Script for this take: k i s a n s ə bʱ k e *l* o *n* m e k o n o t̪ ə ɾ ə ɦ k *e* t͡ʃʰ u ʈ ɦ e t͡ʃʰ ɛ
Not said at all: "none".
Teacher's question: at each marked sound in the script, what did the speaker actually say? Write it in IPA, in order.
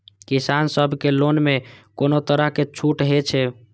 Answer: l, n, e

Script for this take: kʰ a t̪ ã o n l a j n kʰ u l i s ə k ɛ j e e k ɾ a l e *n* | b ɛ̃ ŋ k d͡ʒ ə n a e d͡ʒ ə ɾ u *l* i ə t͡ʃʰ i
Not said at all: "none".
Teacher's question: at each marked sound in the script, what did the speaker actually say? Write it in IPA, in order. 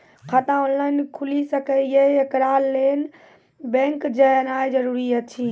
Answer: n, ɾ

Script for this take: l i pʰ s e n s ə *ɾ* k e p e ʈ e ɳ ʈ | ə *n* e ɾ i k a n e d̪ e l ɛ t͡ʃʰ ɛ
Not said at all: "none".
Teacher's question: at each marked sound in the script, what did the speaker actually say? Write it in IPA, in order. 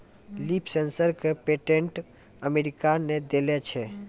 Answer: ɾ, m

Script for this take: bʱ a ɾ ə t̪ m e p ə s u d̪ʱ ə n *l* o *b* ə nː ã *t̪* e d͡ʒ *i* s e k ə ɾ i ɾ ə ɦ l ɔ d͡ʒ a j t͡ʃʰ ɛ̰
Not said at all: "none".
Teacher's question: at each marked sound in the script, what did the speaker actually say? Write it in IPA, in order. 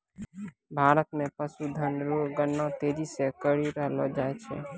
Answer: ɾ, ɡ, t̪, i

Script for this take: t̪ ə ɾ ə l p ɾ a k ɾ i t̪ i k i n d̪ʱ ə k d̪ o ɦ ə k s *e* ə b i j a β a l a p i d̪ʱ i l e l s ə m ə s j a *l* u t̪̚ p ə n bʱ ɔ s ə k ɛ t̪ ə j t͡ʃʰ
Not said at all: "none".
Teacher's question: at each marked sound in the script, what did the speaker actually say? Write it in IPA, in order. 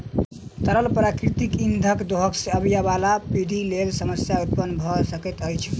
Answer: e, none

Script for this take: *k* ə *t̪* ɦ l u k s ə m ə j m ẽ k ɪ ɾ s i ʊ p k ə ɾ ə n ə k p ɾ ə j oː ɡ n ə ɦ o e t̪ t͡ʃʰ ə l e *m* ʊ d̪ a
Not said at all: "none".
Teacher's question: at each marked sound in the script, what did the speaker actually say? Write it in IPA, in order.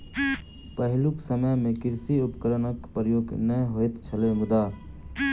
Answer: p, none, m

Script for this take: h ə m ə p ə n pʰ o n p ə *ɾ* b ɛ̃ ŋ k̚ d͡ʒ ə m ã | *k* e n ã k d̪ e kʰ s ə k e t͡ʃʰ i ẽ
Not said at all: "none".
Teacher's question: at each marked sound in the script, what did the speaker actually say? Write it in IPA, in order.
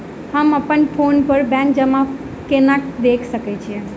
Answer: ɾ, k

